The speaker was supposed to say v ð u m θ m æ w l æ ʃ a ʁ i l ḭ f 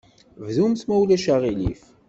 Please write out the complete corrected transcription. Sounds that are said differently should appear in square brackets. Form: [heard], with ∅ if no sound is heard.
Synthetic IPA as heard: v ð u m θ m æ w l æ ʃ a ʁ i l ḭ f